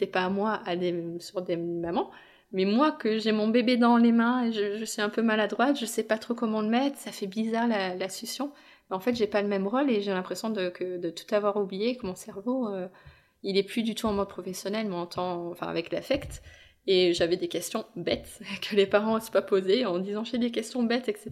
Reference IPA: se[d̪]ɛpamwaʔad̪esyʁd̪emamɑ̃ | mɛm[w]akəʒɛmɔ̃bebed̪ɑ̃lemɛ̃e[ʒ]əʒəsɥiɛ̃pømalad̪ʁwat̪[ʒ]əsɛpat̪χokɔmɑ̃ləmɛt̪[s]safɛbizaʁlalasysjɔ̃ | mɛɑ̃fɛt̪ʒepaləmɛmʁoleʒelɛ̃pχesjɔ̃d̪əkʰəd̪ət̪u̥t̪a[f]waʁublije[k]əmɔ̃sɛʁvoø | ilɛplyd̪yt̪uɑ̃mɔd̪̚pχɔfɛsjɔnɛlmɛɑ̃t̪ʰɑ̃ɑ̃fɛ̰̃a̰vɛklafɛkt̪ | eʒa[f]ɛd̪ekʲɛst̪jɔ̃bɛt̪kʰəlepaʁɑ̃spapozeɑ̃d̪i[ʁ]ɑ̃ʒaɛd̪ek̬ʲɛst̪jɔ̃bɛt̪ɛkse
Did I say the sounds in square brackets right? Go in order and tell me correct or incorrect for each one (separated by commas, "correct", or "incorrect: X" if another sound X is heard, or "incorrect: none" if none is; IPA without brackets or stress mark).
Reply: incorrect: t̪, correct, correct, correct, incorrect: χ, incorrect: v, correct, incorrect: v, incorrect: z